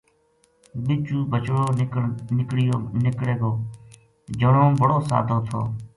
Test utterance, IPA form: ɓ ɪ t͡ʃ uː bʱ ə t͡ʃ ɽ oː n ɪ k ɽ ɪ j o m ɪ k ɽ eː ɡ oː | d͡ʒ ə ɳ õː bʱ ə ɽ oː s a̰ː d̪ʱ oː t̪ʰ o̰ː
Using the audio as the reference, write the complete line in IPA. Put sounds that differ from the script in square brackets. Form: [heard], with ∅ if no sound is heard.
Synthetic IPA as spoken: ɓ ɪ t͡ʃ uː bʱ ə t͡ʃ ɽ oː n ɪ k ɽ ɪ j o [n] ɪ k ɽ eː ɡ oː | d͡ʒ ə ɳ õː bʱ ə ɽ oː s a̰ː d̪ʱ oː t̪ʰ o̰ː

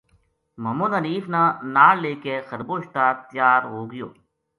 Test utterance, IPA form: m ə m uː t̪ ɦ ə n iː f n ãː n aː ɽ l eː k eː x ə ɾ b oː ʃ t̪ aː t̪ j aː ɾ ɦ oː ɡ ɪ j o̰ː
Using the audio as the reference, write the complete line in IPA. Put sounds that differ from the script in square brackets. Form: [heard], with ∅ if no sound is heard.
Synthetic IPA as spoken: m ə m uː [d̪] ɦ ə n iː f n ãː n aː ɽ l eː k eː x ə ɾ b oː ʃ t̪ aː t̪ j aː ɾ ɦ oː ɡ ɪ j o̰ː

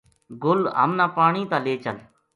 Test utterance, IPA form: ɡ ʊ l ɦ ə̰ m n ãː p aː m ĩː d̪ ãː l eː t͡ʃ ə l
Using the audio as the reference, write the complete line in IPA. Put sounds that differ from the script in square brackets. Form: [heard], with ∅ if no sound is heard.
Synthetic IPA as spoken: ɡ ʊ l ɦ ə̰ m n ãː p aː [ɳ] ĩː [t̪] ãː l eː t͡ʃ ə l

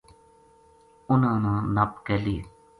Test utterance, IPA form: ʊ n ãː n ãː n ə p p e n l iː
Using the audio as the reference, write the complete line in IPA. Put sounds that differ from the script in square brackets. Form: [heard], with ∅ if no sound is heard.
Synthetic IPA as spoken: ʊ n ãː n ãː n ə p [k] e [∅] l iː

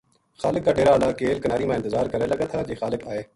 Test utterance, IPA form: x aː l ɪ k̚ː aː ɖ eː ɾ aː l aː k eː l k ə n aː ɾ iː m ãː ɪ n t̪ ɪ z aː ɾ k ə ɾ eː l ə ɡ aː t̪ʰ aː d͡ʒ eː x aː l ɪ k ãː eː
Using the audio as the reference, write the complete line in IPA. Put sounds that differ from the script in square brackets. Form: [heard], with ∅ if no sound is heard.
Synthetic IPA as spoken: x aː l ɪ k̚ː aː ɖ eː ɾ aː l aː k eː l k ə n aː ɾ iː m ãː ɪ n t̪ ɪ z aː ɾ k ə ɾ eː l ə ɡ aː t̪ʰ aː d͡ʒ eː x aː l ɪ k [aː] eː

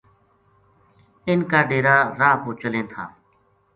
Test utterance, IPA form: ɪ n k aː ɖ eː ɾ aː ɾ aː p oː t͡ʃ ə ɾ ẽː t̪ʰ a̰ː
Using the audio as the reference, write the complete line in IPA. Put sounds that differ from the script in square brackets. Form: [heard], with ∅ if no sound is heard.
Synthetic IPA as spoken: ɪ n k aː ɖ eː ɾ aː ɾ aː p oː t͡ʃ ə [l] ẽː t̪ʰ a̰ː

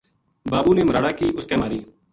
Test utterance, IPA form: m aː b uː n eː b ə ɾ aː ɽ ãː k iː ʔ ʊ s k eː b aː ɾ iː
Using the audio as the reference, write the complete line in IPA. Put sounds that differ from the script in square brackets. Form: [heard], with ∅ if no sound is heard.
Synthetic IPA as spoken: [b] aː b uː n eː [m] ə ɾ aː ɽ [aː] k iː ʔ ʊ s k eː [m] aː ɾ iː

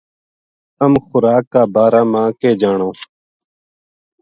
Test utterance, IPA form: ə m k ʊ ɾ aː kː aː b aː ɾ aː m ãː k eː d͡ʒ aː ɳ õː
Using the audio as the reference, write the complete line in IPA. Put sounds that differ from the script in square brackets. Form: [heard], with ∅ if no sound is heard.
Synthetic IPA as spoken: ə m [x] ʊ ɾ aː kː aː b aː ɾ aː m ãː k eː d͡ʒ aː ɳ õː

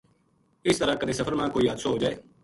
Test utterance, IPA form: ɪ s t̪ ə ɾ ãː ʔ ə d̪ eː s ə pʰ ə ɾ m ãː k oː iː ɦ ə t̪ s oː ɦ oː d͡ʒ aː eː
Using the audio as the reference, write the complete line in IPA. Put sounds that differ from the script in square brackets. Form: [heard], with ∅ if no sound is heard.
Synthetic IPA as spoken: ɪ s t̪ ə ɾ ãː [k] ə d̪ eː s ə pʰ ə ɾ m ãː k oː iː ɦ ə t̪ s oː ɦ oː d͡ʒ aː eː

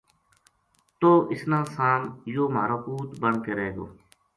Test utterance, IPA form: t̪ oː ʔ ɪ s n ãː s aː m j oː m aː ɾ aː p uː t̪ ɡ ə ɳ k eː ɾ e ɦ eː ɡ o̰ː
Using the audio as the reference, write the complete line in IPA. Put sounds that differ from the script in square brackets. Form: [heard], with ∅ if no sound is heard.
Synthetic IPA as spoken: t̪ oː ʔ ɪ s n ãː s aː m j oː m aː ɾ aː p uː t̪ [b] ə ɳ k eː ɾ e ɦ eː ɡ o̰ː

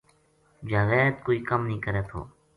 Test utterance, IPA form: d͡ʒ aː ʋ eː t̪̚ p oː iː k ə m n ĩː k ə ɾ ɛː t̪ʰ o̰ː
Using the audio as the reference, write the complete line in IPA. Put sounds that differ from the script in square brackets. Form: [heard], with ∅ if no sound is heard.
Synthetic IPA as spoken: d͡ʒ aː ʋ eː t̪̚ [k] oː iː k ə m n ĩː k ə ɾ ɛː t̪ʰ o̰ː

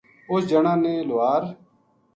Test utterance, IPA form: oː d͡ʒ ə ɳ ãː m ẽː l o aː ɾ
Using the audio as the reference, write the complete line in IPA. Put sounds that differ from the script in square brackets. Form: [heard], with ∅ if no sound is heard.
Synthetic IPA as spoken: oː d͡ʒ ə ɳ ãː [n] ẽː l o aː ɾ

